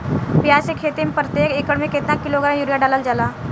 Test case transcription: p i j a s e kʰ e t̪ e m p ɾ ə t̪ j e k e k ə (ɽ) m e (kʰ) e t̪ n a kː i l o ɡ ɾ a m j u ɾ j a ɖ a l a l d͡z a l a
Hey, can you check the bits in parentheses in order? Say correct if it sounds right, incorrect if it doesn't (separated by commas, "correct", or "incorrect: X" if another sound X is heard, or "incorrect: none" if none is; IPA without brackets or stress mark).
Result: correct, incorrect: k